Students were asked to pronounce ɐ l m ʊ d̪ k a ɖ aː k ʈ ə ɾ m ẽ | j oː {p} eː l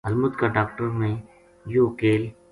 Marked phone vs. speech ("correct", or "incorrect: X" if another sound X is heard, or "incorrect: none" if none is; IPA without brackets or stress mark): incorrect: k